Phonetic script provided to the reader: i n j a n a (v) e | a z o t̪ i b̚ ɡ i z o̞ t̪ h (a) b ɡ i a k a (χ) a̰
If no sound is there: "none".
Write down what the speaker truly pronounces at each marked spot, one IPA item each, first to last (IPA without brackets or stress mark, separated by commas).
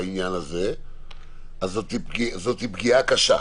z, i, ʃ